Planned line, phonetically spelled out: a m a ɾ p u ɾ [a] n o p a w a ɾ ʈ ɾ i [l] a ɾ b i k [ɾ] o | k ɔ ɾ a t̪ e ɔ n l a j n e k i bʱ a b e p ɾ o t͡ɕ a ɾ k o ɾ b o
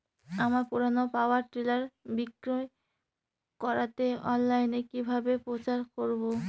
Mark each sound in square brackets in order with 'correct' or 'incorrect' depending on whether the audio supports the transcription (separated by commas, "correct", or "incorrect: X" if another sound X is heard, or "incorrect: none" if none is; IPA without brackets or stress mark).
correct, correct, correct